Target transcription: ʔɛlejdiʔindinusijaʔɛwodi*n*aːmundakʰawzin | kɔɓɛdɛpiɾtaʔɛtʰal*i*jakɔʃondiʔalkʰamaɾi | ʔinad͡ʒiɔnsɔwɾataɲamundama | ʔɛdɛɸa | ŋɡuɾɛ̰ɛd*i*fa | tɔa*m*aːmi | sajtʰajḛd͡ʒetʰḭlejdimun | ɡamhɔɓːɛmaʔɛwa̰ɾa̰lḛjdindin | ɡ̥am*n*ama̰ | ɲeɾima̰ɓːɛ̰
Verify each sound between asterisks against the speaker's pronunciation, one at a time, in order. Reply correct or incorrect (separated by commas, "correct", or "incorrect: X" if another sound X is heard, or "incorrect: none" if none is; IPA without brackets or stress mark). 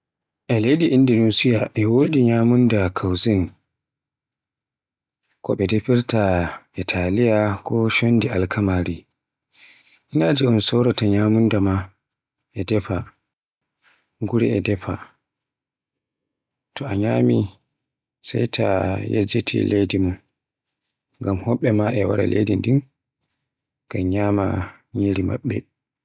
incorrect: ɲ, correct, incorrect: ɛ, incorrect: ɲ, incorrect: ɲ